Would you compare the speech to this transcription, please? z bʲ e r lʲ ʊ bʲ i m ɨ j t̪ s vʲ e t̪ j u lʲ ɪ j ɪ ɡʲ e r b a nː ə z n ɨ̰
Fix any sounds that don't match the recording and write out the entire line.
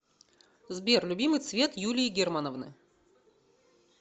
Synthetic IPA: z bʲ e r lʲ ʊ bʲ i m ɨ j t̪ s vʲ e t̪ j u lʲ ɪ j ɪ ɡʲ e r m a n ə v n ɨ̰